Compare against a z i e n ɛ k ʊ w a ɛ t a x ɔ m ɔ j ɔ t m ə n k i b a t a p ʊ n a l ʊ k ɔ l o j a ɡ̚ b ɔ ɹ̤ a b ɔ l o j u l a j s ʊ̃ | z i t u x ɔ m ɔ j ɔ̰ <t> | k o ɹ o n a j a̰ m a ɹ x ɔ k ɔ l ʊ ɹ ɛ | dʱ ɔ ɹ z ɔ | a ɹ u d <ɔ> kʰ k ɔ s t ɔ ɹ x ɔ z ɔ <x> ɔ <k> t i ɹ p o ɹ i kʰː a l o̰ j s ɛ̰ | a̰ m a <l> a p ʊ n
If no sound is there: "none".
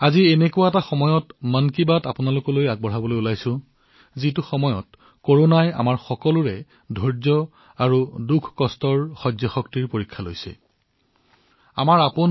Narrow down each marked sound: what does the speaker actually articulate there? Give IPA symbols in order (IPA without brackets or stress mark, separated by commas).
t, u, x, k, ɹ